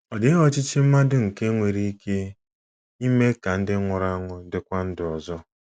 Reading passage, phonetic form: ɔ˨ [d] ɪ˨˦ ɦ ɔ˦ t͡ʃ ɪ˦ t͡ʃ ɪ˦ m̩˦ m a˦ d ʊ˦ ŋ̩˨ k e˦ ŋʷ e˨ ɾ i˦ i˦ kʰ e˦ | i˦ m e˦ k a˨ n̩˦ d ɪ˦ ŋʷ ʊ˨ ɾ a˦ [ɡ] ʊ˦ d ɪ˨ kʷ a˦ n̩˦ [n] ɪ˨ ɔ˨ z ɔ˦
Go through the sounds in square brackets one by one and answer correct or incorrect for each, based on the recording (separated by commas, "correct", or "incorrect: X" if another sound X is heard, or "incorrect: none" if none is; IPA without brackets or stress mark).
correct, incorrect: ŋ, incorrect: d